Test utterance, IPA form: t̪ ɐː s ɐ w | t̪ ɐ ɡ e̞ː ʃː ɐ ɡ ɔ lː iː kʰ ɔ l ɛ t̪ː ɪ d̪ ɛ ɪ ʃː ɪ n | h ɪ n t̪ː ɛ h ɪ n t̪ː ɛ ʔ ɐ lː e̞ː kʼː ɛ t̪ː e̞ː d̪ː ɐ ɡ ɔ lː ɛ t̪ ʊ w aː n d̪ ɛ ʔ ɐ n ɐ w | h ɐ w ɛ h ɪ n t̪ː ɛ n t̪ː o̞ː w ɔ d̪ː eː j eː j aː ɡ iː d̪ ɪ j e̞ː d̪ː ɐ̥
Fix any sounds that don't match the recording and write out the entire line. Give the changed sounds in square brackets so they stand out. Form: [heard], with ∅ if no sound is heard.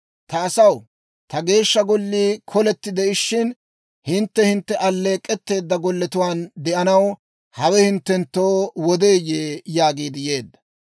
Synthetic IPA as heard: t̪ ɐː s ɐ w | t̪ ɐ ɡ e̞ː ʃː ɐ ɡ ɔ lː iː kʰ ɔ l ɛ t̪ː ɪ d̪ ɛ ɪ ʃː ɪ n | h ɪ n t̪ː ɛ h ɪ n t̪ː ɛ ʔ ɐ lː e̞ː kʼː ɛ t̪ː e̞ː d̪ː ɐ ɡ ɔ lː ɛ t̪ ʊ w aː n d̪ ɛ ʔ ɐ n ɐ w | h ɐ w ɛ h ɪ n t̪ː ɛ n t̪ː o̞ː w ɔ [d̪] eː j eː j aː ɡ iː d̪ ɪ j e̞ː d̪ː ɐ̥